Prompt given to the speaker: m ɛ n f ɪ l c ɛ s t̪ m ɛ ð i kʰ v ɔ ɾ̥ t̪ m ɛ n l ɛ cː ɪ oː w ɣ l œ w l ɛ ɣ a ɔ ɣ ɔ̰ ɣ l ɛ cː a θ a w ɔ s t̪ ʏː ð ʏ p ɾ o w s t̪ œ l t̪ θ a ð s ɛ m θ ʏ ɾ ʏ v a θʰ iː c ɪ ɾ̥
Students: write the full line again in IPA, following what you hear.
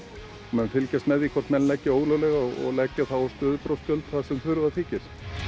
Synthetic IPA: m ɛ n f ɪ l c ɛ s t̪ m ɛ ð i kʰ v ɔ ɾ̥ t̪ m ɛ n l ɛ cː ɪ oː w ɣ l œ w l ɛ ɣ a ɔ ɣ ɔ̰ ɣ l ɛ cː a θ a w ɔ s t̪ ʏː ð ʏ p ɾ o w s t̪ œ l t̪ θ a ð s ɛ m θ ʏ ɾ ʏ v a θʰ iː c ɪ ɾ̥